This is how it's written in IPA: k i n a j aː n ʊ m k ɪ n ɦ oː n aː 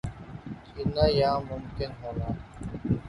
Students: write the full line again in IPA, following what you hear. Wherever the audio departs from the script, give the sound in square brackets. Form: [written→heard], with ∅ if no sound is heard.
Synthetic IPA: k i n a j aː [n→m] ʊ m k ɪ n ɦ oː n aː